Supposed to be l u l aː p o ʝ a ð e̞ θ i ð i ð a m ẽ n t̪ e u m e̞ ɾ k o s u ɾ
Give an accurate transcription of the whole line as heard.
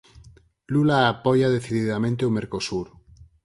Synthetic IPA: l u l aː p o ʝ a ð e̞ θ i ð i ð a m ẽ n t̪ e u m e̞ ɾ k o s u ɾ